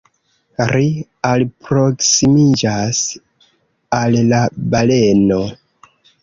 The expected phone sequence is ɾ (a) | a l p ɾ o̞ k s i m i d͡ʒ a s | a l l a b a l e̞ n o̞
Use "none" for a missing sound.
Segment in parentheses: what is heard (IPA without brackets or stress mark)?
i